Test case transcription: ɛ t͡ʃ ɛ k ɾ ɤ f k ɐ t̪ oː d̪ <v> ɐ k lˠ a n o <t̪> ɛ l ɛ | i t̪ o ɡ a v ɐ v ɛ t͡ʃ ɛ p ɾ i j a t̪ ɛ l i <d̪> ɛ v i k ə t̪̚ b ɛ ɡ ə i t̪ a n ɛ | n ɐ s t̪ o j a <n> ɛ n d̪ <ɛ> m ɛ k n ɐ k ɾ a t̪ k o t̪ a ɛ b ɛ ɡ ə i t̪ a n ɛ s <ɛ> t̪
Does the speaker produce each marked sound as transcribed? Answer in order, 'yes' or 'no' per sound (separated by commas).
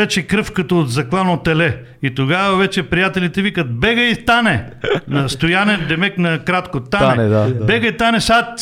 no, yes, no, yes, yes, no